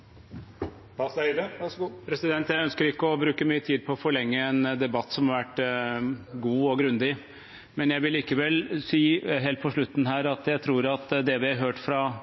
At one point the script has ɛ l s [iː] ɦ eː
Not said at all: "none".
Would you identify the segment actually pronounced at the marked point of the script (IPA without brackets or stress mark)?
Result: iː